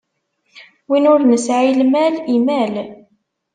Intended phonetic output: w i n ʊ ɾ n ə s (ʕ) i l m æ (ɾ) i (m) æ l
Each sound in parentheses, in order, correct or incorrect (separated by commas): correct, incorrect, correct